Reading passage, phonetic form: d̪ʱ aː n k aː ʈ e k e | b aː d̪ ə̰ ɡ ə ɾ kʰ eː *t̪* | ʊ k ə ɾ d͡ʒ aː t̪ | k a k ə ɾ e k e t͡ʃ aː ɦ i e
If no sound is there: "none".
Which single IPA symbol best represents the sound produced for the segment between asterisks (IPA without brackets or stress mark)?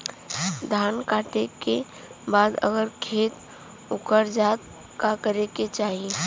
t̪